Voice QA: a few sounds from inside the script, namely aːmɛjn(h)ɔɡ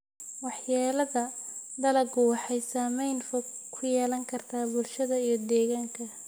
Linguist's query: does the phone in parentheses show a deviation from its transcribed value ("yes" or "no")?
yes